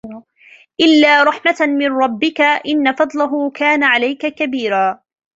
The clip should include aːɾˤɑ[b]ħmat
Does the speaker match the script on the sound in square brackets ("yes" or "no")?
no